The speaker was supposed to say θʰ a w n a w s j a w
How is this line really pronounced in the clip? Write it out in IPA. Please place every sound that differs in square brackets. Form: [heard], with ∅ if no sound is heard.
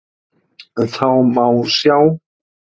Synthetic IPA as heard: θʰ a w [m] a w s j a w